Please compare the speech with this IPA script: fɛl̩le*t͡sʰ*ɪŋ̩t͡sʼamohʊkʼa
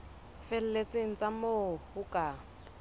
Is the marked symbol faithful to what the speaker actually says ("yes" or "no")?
no